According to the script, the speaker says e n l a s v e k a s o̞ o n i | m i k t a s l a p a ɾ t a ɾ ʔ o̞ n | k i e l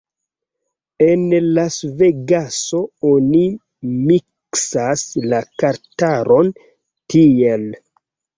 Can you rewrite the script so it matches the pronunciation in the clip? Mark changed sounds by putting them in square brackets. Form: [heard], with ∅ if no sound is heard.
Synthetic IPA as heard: e n l a s v e [ɡ] a s o̞ o n i | m i k [s] a s l a [k] a ɾ t a ɾ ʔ o̞ n | [t] i e l